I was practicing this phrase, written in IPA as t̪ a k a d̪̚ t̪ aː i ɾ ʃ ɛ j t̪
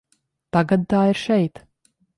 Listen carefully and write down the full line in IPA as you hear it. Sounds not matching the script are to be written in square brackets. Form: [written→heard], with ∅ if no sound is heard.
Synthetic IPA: t̪ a [k→ɡ] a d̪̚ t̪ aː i ɾ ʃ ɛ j t̪